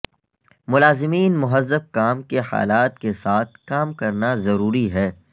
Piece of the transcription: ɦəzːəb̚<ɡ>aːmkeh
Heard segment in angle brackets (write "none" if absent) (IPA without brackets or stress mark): k